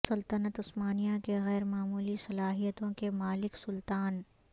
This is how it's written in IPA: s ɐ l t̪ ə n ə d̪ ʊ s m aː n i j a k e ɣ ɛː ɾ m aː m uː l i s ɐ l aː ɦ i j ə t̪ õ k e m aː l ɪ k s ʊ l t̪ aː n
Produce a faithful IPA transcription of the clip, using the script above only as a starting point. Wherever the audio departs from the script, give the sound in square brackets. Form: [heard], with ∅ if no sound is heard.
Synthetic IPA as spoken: s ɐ l t̪ ə n ə [t̪] ʊ s m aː n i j a k e ɣ ɛː ɾ m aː m uː l i s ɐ l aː ɦ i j ə t̪ õ k e m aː l ɪ k s ʊ l t̪ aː n

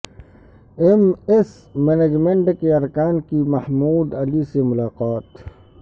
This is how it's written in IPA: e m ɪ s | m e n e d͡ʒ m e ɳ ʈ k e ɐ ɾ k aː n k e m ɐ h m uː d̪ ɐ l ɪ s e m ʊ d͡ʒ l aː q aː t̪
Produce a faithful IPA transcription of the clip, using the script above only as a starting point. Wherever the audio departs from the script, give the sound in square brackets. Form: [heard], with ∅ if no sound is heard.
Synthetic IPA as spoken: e m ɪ s | m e n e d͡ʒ m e ɳ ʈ k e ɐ ɾ k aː n k [i] m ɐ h m uː d̪ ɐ l [i] s e m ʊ [∅] l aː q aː t̪

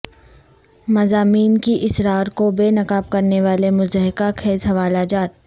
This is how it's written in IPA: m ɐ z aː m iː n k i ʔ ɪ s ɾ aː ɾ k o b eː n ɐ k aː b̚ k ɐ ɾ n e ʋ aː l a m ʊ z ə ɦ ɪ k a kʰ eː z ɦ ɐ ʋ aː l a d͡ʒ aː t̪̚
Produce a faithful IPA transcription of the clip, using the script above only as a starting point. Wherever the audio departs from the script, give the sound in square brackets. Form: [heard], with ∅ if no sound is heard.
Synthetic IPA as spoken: m ɐ z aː m iː n k i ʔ ɪ s ɾ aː ɾ k o b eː n ɐ k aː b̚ k ɐ ɾ n e ʋ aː l [e] m ʊ z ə ɦ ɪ k a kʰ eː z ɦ ɐ ʋ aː l a d͡ʒ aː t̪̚

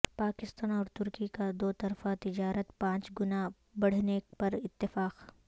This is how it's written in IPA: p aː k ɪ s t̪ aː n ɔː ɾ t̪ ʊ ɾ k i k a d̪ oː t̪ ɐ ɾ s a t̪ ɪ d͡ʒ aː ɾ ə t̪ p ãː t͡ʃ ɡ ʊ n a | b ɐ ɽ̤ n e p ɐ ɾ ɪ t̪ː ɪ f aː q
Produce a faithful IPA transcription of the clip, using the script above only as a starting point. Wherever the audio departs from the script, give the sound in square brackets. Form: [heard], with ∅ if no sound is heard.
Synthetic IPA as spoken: p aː k ɪ s t̪ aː n ɔː ɾ t̪ ʊ ɾ k i k a d̪ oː t̪ ɐ ɾ [f] a t̪ ɪ d͡ʒ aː ɾ ə t̪ p ãː t͡ʃ ɡ ʊ n a | b ɐ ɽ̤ n e p ɐ ɾ ɪ t̪ː ɪ f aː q

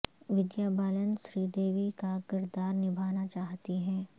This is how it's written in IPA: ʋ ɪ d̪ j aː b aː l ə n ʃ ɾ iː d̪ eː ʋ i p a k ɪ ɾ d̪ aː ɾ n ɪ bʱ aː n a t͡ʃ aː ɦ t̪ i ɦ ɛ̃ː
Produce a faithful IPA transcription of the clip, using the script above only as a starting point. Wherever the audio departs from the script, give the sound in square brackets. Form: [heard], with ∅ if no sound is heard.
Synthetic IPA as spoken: ʋ ɪ d̪ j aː b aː l ə n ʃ ɾ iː d̪ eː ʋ i [k] a k ɪ ɾ d̪ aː ɾ n ɪ bʱ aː n a t͡ʃ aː ɦ t̪ i ɦ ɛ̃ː

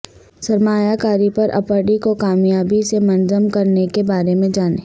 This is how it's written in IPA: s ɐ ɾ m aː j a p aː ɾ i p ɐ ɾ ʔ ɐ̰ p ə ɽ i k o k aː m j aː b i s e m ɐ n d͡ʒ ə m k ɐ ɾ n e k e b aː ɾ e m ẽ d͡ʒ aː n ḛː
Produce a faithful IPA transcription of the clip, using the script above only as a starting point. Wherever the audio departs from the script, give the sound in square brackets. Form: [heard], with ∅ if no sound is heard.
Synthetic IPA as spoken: s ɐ ɾ m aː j a [k] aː ɾ i p ɐ ɾ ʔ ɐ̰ p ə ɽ i k o k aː m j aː b i s e m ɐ n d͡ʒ ə m k ɐ ɾ n e k e b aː ɾ e m ẽ d͡ʒ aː n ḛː

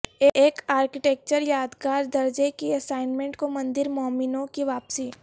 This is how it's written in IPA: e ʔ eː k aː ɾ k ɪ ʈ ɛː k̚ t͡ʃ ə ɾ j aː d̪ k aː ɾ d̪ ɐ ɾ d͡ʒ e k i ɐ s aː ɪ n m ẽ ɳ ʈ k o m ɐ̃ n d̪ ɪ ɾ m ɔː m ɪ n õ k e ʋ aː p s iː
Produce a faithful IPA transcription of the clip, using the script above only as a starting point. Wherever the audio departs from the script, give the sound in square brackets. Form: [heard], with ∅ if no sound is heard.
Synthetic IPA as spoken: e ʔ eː k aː ɾ k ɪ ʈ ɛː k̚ t͡ʃ ə ɾ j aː d̪ k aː ɾ d̪ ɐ ɾ d͡ʒ e k i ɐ s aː ɪ n m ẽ ɳ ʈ k o m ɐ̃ n d̪ ɪ ɾ m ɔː m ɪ n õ k [i] ʋ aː p s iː

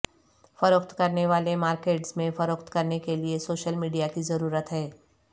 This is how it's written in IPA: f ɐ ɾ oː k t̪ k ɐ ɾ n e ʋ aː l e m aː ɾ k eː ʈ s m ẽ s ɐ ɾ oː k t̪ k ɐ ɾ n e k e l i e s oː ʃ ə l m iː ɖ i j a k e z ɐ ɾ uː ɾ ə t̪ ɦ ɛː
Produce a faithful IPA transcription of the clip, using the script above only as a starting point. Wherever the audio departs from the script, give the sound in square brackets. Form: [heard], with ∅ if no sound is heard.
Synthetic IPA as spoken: f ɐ ɾ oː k t̪ k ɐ ɾ n e ʋ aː l e m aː ɾ k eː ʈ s m ẽ [f] ɐ ɾ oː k t̪ k ɐ ɾ n e k e l i e s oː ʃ ə l m iː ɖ i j a k [i] z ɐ ɾ uː ɾ ə t̪ ɦ ɛː

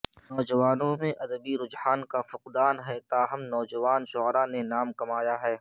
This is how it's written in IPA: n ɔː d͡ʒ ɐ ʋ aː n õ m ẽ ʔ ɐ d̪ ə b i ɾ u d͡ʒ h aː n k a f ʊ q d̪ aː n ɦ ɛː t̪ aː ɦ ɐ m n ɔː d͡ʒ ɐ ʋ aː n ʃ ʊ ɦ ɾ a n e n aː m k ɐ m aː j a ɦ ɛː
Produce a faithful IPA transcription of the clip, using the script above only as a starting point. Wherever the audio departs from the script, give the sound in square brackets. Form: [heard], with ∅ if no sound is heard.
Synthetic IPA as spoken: n ɔː d͡ʒ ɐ ʋ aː n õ m ẽ ʔ ɐ d̪ ə b i ɾ [ʊ] d͡ʒ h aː n k a f ʊ q d̪ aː n ɦ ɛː t̪ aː ɦ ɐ m n ɔː d͡ʒ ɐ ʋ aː n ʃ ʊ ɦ ɾ a n e n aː m k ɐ m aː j a ɦ ɛː

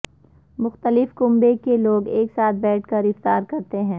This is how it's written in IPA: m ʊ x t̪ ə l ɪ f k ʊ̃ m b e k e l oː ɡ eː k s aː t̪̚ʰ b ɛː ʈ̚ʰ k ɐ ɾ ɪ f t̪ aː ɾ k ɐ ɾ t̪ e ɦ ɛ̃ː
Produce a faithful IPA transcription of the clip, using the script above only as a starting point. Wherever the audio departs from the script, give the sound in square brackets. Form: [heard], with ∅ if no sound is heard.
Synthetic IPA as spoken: m ʊ x t̪ ə l ɪ f k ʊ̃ m b e k e l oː ɡ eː k s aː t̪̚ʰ b ɛː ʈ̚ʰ k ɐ ɾ ɪ f t̪ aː ɾ k ɐ ɾ t̪ e ɦ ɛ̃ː

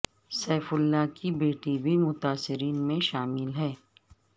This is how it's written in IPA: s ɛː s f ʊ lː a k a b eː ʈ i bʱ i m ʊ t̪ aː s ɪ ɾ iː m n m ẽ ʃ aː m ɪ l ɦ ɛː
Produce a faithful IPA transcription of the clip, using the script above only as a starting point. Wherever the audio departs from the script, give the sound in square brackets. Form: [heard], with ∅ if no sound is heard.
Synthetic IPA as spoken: s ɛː [∅] f ʊ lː a k [i] b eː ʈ i bʱ i m ʊ t̪ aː s ɪ ɾ iː [∅] n m ẽ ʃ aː m ɪ l ɦ ɛː

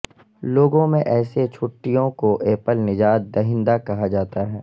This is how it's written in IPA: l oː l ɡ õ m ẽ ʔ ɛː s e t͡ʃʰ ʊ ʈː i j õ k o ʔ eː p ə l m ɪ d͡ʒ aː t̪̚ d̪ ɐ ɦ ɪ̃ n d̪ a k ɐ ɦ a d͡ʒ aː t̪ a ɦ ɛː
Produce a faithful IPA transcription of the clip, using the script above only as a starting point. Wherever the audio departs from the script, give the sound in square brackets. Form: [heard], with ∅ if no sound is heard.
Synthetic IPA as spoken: l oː [∅] ɡ õ m ẽ ʔ ɛː s e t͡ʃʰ ʊ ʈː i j õ k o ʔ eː p ə l [n] ɪ d͡ʒ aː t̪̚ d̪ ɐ ɦ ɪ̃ n d̪ a k ɐ ɦ a d͡ʒ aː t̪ a ɦ ɛː

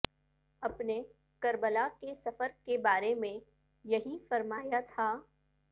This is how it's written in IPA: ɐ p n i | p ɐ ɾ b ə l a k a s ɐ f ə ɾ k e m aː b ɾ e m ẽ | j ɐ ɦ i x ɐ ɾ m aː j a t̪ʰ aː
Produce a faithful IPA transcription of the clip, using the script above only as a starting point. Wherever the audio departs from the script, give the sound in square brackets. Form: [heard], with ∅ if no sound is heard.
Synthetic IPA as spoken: ɐ p n [e] | [k] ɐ ɾ b ə l a k [e] s ɐ f ə ɾ k e [b] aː [∅] ɾ e m ẽ | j ɐ ɦ i [f] ɐ ɾ m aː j a t̪ʰ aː

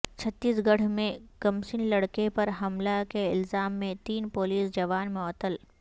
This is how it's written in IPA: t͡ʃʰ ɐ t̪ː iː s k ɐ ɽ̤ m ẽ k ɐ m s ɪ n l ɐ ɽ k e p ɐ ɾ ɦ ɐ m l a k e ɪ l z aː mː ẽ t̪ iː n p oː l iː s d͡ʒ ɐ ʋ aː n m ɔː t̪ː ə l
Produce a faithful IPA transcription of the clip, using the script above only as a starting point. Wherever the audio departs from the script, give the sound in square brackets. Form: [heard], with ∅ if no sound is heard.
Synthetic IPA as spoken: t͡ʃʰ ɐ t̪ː iː s [ɡ] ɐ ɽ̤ m ẽ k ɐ m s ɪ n l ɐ ɽ k e p ɐ ɾ ɦ ɐ m l a k e ɪ l z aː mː ẽ t̪ iː n p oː l iː s d͡ʒ ɐ ʋ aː n m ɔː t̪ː ə l

